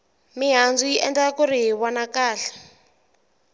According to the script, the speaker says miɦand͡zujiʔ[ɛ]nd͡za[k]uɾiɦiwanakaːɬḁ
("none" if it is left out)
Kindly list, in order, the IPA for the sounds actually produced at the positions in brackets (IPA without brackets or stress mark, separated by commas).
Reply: ɛ, k